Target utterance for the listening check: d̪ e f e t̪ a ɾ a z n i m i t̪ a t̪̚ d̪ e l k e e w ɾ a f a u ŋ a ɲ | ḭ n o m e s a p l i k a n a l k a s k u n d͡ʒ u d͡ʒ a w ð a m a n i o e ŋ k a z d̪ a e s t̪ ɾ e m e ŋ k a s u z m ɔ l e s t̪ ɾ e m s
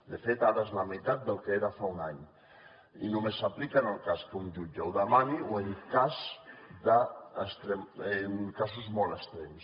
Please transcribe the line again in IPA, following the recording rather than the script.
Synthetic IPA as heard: d̪ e f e t̪ a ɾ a z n a m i t̪ a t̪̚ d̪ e l k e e ɾ a f a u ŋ a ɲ | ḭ n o m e s a p l i k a n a l k a s k u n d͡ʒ u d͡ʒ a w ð a m a n i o e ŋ k a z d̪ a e s t̪ ɾ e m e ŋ k a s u z m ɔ l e s t̪ ɾ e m s